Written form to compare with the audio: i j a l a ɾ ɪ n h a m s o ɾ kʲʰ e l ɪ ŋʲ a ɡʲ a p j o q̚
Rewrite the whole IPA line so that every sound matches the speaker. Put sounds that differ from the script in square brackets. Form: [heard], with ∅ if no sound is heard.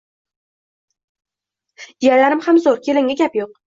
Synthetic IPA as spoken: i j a l a ɾ ɪ [m] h a m [z] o ɾ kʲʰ e l ɪ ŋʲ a ɡʲ a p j o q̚

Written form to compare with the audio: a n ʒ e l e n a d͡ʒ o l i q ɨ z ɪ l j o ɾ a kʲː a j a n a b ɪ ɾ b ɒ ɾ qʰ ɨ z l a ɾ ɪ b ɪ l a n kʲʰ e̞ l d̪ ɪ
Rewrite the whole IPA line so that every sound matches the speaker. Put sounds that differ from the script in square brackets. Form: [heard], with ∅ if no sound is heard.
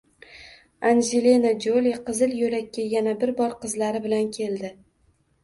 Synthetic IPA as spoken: a n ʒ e l e n a d͡ʒ o l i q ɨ z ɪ l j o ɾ a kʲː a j a n a b ɪ ɾ b ɒ ɾ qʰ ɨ z l a ɾ ɪ b ɪ l a n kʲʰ e̞ l d̪ ɪ

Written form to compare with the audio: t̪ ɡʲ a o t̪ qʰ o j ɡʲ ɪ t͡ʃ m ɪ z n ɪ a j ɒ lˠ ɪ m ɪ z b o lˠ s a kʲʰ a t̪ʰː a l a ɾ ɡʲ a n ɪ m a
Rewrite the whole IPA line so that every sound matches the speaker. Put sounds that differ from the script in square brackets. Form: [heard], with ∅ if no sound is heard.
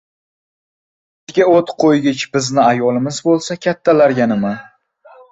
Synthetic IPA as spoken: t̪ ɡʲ a o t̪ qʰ o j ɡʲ ɪ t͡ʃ [b] ɪ z n ɪ a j ɒ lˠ ɪ m ɪ z b o lˠ s a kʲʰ a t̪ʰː a l a ɾ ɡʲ a n ɪ m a

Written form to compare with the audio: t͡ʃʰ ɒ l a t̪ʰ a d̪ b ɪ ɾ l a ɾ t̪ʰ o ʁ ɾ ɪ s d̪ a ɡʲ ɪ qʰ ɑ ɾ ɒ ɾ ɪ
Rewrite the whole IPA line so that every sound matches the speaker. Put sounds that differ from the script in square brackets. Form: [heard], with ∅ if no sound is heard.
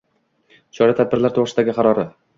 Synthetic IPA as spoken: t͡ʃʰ ɒ [ɾ] a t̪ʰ a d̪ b ɪ ɾ l a ɾ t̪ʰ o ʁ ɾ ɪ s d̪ a ɡʲ ɪ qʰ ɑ ɾ ɒ ɾ ɪ

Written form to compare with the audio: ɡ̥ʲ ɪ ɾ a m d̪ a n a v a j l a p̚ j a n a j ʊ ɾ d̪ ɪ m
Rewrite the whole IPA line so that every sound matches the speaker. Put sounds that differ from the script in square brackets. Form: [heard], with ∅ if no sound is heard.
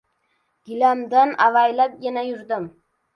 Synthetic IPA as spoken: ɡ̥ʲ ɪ [l] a m d̪ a n a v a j l a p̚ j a n a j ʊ ɾ d̪ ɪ m

